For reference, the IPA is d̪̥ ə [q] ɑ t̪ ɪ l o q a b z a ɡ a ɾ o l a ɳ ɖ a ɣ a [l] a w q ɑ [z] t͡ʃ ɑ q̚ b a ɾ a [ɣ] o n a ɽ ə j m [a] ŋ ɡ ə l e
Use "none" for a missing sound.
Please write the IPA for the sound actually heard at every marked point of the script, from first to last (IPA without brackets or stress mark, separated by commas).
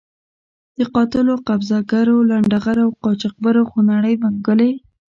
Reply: q, ɾ, none, x, a